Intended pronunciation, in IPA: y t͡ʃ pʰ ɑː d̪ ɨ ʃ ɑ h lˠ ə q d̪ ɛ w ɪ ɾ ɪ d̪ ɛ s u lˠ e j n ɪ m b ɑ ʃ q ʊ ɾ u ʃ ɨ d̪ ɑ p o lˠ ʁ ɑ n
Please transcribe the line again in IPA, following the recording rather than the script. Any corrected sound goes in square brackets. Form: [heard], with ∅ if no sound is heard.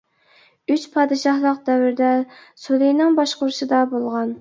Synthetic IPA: y t͡ʃ pʰ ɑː d̪ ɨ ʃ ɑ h lˠ ə q d̪ ɛ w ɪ ɾ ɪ d̪ ɛ s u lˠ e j n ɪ [ŋ] b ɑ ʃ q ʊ ɾ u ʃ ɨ d̪ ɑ [b] o lˠ ʁ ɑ n